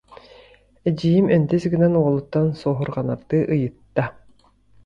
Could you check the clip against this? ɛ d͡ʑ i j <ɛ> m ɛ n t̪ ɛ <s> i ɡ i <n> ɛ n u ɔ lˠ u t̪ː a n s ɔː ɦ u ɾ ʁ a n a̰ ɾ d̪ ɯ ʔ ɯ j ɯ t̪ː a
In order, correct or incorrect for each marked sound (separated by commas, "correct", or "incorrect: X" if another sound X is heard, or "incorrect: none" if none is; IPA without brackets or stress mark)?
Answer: incorrect: i, correct, correct